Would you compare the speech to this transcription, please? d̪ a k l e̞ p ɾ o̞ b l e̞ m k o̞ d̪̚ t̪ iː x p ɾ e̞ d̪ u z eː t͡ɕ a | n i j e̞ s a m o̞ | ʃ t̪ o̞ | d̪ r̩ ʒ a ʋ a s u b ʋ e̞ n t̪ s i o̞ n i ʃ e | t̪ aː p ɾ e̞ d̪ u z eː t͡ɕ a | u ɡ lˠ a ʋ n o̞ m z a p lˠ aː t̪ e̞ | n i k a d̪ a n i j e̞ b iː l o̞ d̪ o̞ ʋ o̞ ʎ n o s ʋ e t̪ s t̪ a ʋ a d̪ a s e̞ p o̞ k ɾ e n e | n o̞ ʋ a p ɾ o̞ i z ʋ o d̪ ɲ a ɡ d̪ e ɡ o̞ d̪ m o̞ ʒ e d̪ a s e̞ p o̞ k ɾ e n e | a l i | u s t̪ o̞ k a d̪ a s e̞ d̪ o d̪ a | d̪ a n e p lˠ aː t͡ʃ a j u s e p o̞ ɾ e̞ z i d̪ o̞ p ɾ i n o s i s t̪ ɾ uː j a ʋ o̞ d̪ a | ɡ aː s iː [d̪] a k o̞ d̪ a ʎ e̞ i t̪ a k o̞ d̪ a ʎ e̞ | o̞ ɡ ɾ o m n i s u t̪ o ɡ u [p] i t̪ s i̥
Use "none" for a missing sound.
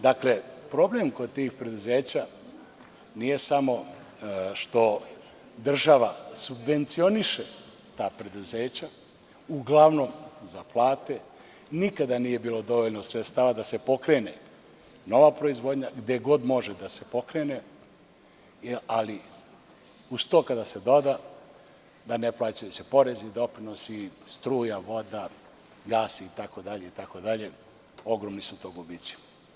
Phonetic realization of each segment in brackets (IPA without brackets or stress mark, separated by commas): t̪, b